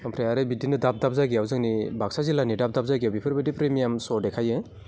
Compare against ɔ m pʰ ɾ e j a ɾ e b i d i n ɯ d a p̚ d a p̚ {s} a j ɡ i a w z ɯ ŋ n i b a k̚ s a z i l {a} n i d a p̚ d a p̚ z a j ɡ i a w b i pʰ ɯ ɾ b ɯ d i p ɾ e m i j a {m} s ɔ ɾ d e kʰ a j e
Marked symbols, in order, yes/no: no, yes, yes

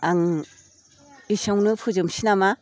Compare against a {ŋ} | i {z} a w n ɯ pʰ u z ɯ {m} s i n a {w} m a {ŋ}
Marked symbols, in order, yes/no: yes, no, yes, no, no

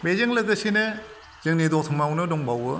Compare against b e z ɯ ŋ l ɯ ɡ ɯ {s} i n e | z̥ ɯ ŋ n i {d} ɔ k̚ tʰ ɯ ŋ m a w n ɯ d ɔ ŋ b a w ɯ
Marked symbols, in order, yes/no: yes, yes

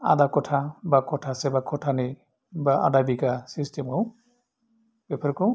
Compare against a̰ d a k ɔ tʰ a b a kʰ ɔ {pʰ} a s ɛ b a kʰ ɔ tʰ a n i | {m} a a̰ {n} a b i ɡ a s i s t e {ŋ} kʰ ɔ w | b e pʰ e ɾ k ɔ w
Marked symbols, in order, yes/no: no, no, no, no

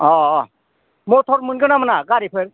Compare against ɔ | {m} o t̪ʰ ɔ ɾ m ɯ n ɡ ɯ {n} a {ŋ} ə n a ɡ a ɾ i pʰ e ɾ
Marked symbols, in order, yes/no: yes, yes, no

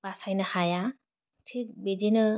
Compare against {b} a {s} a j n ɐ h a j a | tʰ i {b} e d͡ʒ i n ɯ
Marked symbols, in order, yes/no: yes, yes, yes

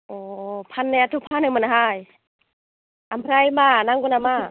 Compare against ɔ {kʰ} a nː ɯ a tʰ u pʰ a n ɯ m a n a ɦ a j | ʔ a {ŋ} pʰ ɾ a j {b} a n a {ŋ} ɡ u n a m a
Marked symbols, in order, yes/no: no, no, no, yes

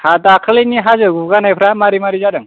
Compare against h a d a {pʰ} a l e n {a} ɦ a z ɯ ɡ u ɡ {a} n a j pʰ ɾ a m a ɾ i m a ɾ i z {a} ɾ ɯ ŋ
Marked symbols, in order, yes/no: no, no, yes, yes

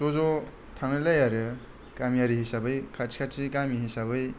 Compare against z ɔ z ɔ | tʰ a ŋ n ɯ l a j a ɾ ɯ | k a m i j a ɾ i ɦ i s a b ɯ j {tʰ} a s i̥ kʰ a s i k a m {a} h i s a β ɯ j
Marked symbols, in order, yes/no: no, no

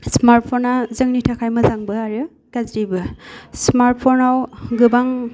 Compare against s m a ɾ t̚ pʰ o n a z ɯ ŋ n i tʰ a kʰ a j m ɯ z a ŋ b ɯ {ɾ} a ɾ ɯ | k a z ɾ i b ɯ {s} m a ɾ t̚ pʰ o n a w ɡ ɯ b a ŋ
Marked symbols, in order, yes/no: no, yes

